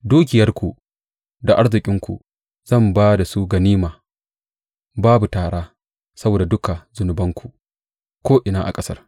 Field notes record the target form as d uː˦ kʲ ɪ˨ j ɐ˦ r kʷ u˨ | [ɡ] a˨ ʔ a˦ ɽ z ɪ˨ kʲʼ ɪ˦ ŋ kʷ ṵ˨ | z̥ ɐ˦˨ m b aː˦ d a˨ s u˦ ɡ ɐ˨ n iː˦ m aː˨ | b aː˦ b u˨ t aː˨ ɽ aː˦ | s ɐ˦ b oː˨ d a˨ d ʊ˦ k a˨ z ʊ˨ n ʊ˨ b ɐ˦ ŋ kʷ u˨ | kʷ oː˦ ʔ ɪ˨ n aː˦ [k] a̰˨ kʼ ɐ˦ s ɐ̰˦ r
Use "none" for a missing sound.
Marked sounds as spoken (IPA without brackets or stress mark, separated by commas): d, ʔ